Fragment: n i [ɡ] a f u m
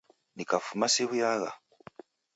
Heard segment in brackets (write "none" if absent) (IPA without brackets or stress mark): k